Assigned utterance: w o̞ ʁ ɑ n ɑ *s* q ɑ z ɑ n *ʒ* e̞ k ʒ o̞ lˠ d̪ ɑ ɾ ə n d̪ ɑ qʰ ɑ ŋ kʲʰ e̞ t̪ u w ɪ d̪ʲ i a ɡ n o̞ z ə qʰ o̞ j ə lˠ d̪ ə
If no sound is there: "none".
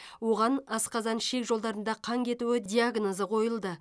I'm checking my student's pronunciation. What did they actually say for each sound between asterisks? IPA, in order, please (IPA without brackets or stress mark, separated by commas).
s, ʃ